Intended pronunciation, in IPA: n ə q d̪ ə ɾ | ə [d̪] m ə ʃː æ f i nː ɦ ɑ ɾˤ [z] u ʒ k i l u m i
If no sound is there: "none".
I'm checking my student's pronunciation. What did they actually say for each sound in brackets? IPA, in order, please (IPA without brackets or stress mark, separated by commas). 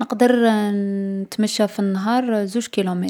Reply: t̪, z